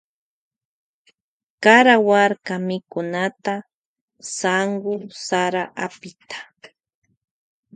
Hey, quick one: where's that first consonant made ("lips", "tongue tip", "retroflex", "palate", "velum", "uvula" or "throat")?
velum